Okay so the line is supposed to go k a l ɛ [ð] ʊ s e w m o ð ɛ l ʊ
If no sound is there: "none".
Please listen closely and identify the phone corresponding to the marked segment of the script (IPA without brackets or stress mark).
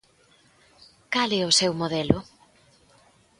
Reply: none